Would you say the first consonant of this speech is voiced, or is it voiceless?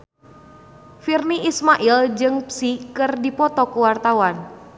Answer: voiceless